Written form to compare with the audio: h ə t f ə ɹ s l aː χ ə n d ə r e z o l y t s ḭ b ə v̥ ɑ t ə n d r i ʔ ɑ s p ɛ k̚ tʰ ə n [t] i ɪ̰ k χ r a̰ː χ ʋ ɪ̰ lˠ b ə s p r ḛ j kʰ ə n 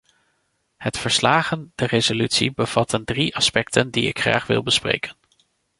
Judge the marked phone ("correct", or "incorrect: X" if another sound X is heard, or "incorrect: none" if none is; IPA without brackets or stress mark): incorrect: d